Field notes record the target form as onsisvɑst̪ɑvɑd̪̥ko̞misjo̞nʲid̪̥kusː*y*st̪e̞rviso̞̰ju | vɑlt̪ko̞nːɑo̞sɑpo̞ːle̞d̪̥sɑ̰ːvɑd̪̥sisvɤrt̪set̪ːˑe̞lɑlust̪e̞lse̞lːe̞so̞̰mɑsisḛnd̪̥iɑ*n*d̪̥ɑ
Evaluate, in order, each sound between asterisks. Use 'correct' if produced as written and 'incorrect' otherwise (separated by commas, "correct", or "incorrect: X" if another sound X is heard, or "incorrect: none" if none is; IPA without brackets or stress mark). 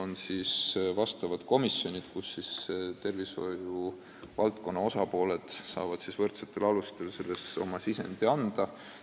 incorrect: i, correct